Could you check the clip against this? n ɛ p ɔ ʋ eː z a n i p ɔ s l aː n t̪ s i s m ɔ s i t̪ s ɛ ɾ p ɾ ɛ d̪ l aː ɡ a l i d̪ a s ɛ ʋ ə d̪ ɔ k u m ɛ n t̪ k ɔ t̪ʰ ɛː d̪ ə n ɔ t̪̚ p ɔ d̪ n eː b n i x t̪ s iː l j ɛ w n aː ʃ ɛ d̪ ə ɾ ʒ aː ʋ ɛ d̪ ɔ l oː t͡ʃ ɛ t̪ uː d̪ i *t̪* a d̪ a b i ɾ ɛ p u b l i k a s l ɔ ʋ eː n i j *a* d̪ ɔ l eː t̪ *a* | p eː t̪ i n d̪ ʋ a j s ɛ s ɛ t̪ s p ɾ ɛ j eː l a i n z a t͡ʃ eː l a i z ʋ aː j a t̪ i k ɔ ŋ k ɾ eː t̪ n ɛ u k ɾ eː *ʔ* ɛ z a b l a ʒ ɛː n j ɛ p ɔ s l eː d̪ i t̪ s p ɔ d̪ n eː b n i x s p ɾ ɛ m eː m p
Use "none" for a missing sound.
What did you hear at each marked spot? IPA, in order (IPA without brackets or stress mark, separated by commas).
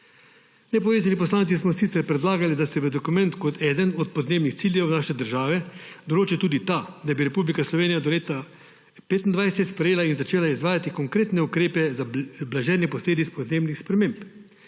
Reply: t̪, a, a, p